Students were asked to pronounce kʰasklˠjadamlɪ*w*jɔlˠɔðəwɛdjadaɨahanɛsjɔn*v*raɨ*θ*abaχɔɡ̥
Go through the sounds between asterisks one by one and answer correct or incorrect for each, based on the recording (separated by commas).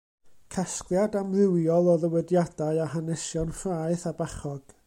correct, incorrect, correct